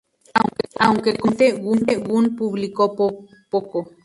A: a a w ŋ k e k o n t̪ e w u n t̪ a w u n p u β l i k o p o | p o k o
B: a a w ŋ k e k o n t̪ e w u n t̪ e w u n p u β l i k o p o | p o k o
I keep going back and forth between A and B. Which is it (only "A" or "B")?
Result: B